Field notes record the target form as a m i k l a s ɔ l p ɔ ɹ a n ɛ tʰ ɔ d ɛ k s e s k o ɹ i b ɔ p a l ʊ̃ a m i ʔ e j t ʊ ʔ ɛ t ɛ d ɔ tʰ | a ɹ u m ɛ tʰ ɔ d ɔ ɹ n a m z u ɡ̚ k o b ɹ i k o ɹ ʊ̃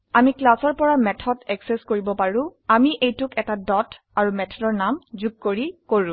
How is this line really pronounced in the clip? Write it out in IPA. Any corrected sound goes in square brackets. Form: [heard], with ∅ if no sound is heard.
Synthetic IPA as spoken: a m i k l a s ɔ [ɹ] p ɔ ɹ a [m] ɛ tʰ ɔ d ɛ k s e s k o ɹ i b ɔ p a [ɹ] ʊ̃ a m i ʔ e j t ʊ [k] ɛ t [a] d ɔ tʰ | a ɹ u m ɛ tʰ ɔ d ɔ ɹ n a m z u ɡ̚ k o [∅] ɹ i k o ɹ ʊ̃